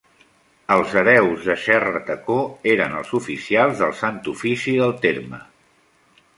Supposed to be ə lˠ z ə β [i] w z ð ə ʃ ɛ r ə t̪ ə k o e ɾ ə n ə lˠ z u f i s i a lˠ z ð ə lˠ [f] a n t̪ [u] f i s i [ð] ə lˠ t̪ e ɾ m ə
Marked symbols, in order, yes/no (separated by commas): no, no, yes, yes